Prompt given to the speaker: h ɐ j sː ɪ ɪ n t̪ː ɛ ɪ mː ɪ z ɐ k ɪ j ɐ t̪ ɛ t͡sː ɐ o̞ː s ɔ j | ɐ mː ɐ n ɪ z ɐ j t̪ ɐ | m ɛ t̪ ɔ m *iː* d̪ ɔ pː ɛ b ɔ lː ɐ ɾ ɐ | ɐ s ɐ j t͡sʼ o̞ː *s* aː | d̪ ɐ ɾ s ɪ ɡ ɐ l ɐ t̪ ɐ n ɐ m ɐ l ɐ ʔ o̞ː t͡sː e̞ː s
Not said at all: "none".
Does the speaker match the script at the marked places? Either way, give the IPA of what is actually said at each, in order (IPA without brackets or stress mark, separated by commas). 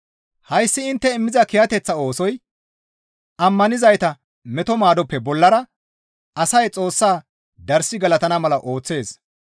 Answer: aː, sː